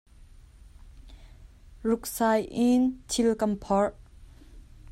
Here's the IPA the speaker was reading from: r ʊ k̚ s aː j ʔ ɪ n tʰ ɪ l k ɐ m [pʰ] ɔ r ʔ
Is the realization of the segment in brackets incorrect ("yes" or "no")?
no